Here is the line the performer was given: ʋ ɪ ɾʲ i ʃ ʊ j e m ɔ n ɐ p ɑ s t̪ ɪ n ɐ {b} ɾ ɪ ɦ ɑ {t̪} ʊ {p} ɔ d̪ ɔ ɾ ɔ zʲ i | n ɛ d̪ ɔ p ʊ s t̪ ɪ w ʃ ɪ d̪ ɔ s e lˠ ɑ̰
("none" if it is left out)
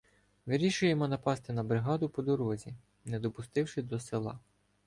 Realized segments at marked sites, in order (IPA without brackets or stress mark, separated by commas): b, d̪, p